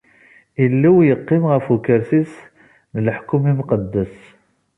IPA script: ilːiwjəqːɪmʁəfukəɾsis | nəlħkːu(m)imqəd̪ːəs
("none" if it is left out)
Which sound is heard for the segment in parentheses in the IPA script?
m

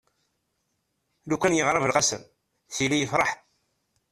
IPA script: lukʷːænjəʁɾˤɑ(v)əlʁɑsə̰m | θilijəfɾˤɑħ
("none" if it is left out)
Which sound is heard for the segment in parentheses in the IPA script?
v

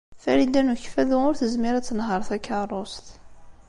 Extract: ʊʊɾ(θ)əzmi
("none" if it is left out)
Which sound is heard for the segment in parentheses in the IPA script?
θ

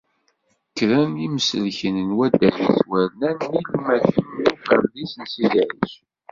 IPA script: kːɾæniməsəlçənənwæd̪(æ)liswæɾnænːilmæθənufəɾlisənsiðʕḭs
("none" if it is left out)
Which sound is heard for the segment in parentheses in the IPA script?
æ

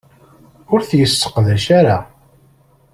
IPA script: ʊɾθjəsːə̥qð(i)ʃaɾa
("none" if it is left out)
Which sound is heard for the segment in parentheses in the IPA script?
æ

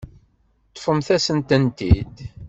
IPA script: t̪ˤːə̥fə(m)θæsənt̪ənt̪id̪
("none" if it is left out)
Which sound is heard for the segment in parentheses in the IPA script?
m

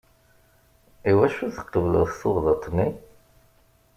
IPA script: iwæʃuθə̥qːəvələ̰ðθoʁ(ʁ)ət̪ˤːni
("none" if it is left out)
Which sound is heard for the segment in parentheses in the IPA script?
ð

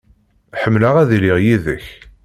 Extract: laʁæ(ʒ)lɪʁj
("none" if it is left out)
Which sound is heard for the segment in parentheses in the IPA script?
ð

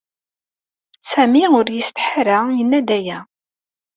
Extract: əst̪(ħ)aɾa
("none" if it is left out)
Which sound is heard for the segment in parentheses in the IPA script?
ħ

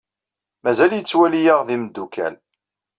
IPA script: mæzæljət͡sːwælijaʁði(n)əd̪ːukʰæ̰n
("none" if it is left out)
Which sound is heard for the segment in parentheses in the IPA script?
m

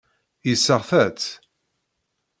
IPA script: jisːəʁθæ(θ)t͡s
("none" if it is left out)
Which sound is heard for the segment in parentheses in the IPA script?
none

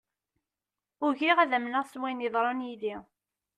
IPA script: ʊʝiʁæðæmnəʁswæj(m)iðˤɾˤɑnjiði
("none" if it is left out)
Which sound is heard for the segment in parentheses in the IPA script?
n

